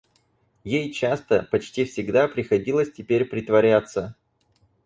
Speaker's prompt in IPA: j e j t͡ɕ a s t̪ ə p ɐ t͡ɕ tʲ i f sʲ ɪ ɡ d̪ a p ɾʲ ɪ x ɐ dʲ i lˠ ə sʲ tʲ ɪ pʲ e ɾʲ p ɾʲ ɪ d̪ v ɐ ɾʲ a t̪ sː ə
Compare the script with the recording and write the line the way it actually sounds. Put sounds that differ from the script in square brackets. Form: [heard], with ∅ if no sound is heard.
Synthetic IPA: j e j t͡ɕ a s t̪ ə p ɐ t͡ɕ tʲ i f sʲ ɪ ɡ d̪ a p ɾʲ ɪ x ɐ dʲ i lˠ ə sʲ tʲ ɪ pʲ e ɾʲ p ɾʲ ɪ [t̪] v ɐ ɾʲ a t̪ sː ə